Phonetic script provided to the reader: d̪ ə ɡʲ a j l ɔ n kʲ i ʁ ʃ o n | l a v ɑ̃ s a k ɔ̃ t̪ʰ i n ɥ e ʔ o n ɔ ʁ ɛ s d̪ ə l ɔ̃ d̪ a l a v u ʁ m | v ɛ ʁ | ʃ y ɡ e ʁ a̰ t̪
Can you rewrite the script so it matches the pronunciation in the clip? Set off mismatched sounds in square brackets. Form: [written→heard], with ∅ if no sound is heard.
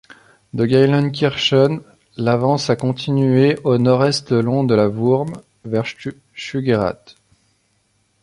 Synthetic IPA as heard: d̪ ə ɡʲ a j l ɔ n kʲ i ʁ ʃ [o→ɔ] n | l a v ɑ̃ s a k ɔ̃ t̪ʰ i n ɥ e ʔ o n ɔ ʁ ɛ s [d̪→t̪] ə l ɔ̃ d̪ [a→ə] l a v u ʁ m | v ɛ ʁ | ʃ y ɡ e ʁ a̰ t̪